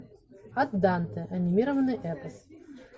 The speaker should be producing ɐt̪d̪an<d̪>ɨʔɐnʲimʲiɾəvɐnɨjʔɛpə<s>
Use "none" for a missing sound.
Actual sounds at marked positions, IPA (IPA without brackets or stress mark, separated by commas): t̪, s